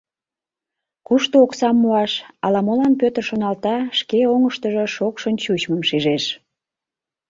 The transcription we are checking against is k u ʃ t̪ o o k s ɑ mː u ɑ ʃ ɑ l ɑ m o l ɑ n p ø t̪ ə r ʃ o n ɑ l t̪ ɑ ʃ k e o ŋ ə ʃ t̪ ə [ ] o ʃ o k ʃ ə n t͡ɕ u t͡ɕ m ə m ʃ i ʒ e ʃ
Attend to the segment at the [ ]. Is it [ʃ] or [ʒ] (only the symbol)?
ʒ